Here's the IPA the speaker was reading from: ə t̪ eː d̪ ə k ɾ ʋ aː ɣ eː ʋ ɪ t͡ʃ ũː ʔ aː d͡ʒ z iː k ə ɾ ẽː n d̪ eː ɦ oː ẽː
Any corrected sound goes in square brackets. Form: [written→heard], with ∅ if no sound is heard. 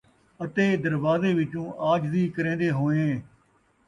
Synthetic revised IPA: ə t̪ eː d̪ ə [k→∅] ɾ ʋ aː [ɣ→z] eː ʋ ɪ t͡ʃ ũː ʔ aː d͡ʒ z iː k ə ɾ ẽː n d̪ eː ɦ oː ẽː